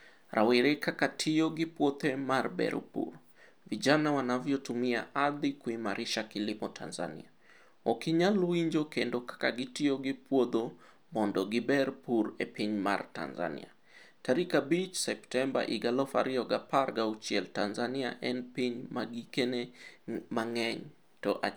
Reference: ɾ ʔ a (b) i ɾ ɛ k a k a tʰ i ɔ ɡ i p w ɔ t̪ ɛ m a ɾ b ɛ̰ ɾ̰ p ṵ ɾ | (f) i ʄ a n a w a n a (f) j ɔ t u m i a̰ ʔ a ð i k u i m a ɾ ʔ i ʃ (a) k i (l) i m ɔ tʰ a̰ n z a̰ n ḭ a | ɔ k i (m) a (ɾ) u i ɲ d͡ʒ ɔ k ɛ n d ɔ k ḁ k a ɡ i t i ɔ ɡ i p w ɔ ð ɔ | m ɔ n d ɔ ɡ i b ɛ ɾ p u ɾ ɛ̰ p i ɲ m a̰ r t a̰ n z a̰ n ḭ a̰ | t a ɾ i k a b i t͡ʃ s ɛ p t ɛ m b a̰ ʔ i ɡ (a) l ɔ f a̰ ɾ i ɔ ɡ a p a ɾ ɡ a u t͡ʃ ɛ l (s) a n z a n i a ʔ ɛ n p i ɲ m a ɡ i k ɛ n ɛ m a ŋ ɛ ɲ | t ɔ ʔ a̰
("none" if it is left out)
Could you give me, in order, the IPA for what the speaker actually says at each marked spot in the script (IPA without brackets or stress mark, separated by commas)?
w, v, v, a, l, ɲ, l, a, t